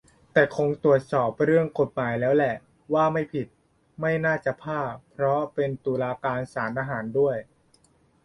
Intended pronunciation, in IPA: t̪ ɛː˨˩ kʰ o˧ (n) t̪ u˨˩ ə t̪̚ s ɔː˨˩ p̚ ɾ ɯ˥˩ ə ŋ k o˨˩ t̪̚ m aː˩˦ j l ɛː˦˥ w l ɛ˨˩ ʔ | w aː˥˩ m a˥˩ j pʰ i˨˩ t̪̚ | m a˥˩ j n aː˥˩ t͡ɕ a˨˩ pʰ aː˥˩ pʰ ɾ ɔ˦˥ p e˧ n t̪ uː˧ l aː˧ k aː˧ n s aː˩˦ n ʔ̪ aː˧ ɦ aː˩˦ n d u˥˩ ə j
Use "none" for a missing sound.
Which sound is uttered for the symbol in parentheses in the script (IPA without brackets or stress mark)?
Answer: ŋ